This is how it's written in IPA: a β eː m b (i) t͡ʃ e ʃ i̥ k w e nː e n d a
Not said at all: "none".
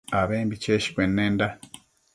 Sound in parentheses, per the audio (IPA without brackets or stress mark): i